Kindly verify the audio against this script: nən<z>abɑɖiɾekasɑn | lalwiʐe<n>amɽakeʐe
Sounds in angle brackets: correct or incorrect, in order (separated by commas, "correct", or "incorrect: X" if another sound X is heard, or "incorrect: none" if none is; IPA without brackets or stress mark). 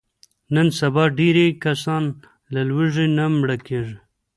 incorrect: s, correct